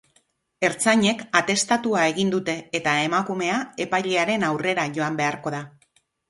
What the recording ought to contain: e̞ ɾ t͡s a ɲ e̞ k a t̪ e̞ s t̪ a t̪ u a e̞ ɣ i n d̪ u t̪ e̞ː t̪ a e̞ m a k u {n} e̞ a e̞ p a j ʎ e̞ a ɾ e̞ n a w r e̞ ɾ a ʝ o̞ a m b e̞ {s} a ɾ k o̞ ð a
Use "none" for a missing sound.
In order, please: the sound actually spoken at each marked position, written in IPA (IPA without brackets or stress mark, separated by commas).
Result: m, none